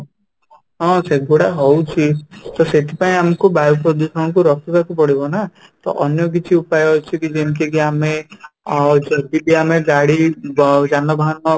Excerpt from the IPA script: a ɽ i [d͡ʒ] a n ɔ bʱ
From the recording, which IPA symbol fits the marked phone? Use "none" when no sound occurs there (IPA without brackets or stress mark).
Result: d͡ʒ